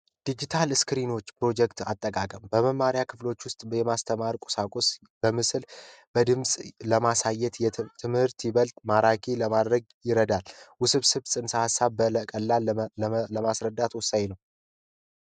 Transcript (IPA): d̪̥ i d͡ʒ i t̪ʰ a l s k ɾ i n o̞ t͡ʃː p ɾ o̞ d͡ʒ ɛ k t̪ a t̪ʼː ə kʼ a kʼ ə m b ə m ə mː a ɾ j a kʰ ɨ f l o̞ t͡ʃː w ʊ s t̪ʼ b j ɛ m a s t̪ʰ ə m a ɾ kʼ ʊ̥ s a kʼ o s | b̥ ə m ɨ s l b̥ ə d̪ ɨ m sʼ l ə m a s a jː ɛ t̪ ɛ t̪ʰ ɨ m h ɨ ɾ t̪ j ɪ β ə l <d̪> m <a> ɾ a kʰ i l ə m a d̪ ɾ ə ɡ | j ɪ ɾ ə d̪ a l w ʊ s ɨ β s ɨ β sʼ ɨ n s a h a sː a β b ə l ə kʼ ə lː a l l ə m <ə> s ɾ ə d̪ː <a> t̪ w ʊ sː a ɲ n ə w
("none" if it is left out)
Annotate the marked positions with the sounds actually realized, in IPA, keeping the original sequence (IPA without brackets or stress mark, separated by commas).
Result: t̪, a, a, a